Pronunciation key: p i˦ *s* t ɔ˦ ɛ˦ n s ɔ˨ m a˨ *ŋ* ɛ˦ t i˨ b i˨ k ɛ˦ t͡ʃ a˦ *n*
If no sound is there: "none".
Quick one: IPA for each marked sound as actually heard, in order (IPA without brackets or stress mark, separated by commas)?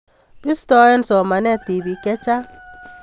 s, n, none